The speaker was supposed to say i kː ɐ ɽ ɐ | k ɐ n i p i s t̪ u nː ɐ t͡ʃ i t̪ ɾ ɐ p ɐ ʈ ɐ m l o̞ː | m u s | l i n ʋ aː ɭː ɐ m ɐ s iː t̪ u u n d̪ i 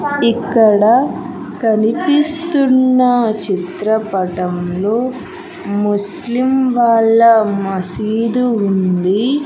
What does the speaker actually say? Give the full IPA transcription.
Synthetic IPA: i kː ɐ ɽ ɐ | k ɐ n i p i s t̪ u nː ɐ t͡ʃ i t̪ ɾ ɐ p ɐ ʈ ɐ m l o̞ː | m u s | l i m ʋ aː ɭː ɐ m ɐ s iː d̪ u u n d̪ i